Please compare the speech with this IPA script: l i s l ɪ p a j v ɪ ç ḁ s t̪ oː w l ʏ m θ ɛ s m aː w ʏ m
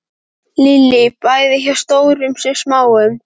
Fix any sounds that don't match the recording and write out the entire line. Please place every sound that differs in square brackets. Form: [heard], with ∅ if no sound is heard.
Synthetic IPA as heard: l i [∅] l ɪ p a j [ð] ɪ ç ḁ s t̪ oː w [ɾ] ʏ m [s] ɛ s m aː w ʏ m